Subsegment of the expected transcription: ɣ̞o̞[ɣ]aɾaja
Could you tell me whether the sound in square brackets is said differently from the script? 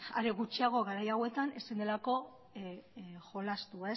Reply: no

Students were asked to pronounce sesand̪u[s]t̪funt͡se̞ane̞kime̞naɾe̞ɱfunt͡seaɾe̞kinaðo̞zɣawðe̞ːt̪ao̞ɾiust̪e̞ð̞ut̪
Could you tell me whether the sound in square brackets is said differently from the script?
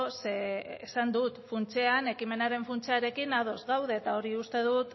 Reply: yes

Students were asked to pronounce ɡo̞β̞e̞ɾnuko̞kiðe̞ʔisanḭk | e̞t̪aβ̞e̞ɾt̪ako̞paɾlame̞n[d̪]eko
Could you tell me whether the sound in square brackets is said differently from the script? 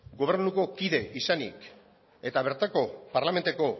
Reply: yes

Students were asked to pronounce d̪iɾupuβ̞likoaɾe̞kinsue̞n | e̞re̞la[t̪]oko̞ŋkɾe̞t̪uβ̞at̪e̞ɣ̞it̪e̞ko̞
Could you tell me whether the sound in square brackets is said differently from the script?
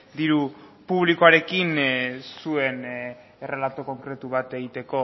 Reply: no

